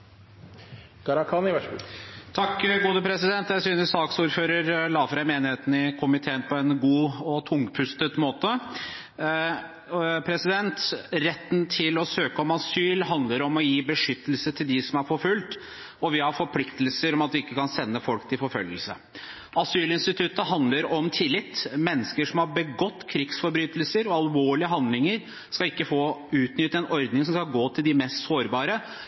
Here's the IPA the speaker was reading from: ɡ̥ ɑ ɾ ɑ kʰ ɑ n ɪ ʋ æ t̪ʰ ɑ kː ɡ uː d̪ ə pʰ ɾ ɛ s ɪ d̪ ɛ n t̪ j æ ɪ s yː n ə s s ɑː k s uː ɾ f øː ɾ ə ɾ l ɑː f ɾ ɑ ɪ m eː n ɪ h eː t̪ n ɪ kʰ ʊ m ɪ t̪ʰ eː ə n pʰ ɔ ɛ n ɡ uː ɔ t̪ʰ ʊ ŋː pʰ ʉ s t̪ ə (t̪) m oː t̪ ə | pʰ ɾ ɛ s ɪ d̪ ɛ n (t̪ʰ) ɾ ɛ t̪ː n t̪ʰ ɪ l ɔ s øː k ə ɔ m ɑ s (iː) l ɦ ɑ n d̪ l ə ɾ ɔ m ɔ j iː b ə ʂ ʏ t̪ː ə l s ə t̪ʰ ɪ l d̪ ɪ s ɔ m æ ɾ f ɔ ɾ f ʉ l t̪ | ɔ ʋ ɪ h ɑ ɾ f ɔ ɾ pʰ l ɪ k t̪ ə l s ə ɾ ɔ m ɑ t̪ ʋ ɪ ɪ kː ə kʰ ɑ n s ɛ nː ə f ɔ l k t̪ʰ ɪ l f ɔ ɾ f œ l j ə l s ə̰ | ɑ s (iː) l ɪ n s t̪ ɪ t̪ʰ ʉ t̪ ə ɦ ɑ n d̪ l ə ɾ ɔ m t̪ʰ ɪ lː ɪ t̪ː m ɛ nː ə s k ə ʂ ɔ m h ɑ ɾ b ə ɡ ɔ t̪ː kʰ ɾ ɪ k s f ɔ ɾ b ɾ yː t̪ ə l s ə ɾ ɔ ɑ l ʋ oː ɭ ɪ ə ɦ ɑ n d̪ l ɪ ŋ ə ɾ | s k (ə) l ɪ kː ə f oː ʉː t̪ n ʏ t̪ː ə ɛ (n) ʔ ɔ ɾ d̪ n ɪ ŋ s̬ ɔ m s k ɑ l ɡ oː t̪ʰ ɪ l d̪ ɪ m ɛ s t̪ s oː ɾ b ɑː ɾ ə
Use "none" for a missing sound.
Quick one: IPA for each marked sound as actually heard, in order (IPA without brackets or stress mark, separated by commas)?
t̪, t̪, yː, yː, ɑ, n